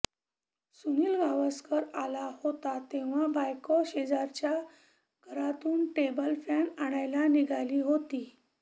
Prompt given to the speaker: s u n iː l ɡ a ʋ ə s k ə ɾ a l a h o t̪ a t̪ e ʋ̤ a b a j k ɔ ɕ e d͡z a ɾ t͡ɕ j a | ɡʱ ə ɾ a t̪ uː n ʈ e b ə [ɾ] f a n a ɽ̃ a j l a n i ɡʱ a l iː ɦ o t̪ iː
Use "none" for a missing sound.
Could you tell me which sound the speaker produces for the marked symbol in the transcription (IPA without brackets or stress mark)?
l